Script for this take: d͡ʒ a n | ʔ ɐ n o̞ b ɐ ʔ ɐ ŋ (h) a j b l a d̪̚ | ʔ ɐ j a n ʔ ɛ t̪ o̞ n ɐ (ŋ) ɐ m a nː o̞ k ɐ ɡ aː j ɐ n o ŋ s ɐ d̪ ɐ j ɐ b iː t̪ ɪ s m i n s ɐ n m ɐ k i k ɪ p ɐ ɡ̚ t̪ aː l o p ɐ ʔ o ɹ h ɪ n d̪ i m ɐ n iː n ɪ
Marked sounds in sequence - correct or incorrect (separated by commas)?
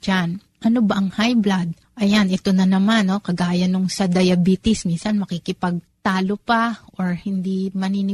correct, incorrect